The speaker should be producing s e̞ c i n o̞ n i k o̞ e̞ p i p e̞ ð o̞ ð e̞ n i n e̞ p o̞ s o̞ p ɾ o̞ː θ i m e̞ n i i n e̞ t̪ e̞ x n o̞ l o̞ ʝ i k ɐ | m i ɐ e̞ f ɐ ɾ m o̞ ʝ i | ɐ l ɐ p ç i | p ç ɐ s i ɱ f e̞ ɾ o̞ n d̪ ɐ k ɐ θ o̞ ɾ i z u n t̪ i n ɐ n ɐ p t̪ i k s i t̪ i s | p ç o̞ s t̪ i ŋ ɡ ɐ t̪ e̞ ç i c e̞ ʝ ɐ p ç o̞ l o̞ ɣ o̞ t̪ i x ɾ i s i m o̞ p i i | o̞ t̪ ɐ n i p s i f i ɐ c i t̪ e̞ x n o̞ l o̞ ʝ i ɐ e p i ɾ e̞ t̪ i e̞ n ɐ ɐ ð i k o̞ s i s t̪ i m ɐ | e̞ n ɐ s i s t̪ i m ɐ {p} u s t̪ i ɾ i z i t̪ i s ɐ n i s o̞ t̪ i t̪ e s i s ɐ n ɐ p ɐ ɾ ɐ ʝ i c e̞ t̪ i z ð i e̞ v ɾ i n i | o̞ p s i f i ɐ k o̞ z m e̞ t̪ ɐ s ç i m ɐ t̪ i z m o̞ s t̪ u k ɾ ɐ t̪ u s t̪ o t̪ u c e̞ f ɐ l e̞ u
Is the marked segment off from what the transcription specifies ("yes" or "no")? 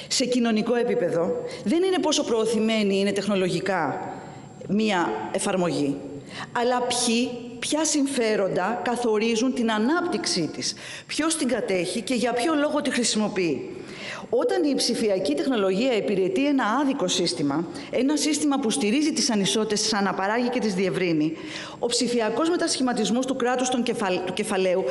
no